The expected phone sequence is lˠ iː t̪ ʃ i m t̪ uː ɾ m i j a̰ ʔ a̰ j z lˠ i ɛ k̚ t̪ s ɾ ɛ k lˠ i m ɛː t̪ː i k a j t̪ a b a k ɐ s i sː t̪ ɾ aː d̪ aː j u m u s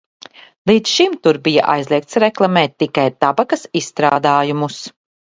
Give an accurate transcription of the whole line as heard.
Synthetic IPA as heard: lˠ iː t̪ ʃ i m t̪ u ɾ b i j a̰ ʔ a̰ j z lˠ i ɛ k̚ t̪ s ɾ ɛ k lˠ a m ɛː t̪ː i k a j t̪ a b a k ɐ s i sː t̪ ɾ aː d̪ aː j u m u s